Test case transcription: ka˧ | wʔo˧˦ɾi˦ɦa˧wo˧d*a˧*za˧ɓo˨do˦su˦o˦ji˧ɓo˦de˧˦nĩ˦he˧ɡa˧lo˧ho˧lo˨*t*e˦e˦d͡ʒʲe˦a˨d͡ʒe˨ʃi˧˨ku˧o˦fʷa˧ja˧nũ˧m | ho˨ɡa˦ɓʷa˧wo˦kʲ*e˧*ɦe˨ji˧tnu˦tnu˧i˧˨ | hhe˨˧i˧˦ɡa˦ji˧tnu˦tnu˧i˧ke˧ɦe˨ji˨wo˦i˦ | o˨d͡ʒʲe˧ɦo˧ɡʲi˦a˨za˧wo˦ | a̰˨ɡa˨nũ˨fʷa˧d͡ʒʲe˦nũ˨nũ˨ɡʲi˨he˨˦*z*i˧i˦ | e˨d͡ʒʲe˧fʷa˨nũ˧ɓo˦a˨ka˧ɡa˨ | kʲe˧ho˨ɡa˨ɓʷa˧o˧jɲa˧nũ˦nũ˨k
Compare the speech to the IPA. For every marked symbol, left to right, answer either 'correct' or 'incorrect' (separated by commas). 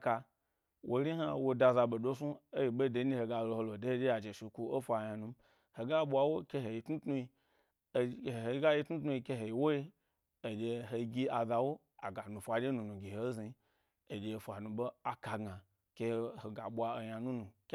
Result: correct, incorrect, correct, correct